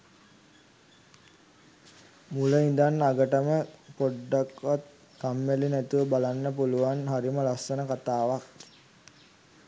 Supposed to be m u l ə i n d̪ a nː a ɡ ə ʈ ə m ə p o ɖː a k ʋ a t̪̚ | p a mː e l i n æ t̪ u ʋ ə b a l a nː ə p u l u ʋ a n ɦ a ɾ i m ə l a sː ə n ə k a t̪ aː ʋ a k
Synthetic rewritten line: m u l ə i n d̪ a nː a ɡ ə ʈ ə m ə p o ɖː a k ʋ a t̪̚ | k a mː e l i n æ t̪ u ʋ ə b a l a nː ə p u l u ʋ a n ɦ a ɾ i m ə l a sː ə n ə k a t̪ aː ʋ a k